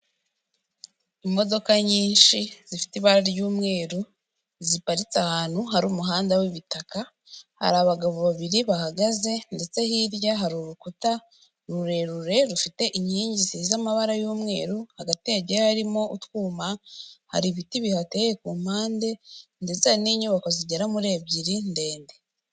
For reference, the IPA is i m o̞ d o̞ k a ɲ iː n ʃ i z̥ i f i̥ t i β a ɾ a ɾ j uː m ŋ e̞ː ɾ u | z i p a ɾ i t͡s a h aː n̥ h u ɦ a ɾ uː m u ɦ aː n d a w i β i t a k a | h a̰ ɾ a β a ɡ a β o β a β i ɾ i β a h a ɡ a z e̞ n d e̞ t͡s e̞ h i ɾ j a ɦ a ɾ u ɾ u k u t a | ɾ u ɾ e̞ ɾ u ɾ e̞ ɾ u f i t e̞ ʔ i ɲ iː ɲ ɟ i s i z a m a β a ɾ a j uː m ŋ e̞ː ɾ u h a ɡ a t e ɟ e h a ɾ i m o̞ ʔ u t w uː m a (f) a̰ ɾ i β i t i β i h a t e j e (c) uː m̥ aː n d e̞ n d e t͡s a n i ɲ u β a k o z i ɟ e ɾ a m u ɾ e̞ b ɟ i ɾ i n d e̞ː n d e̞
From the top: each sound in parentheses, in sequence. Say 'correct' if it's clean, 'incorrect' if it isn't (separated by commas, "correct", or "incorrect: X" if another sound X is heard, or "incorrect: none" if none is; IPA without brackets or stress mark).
incorrect: h, incorrect: k